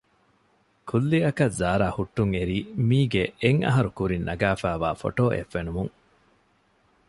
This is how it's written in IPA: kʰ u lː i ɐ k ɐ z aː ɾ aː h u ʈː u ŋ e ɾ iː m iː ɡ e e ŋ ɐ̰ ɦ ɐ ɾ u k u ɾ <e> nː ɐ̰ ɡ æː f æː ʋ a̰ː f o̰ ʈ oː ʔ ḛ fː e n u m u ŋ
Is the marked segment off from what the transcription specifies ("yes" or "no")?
yes